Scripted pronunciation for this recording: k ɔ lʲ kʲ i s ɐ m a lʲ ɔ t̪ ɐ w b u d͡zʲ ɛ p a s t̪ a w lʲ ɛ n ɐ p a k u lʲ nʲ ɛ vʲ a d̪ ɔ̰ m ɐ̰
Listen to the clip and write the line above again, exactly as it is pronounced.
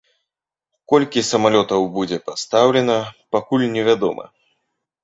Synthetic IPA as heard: k ɔ lʲ kʲ i s ɐ m a lʲ ɔ t̪ ɐ w b u d͡zʲ ɛ p a s t̪ a w lʲ ɛ n ɐ p a k u lʲ nʲ ɛ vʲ a d̪ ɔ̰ m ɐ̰